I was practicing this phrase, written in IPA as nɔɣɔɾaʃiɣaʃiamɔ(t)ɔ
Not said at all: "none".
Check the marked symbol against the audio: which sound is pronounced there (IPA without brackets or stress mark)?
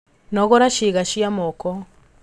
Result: k